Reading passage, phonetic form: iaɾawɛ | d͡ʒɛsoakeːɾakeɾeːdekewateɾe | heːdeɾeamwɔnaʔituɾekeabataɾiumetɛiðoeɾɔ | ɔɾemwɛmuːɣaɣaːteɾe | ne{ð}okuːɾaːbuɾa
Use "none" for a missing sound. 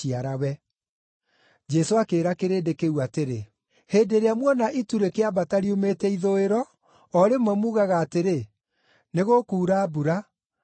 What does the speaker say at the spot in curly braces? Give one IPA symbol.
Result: ɣ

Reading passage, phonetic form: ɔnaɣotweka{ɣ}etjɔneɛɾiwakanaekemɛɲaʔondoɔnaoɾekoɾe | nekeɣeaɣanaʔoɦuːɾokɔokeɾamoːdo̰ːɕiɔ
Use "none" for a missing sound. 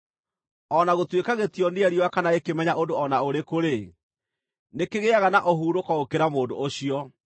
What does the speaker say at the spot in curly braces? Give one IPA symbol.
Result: ɣ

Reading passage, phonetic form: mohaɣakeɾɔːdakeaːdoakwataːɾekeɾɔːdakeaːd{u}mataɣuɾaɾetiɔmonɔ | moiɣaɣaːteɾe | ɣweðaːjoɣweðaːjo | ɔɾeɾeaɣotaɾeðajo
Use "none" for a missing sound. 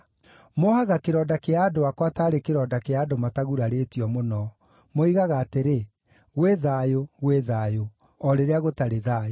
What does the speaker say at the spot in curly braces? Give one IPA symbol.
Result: o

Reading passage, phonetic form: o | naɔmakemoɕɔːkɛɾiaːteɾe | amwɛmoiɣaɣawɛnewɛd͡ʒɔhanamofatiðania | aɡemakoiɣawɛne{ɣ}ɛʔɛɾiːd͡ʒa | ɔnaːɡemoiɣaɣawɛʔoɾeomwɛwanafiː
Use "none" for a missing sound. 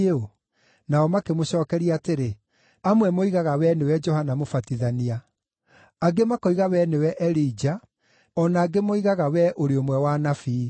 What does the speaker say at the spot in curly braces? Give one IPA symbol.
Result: w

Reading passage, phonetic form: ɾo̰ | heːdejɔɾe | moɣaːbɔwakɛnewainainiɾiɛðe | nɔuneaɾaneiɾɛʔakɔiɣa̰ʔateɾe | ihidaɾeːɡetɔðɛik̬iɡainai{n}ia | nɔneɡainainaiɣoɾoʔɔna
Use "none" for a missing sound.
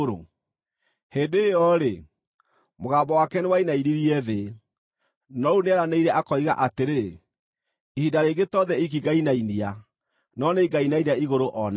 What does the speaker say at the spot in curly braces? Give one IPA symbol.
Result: n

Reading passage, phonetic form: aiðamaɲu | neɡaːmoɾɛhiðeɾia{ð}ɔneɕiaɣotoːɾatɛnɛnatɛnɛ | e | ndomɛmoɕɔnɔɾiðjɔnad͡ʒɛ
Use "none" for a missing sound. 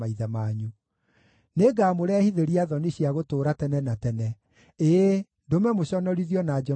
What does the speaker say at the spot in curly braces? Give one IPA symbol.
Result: ð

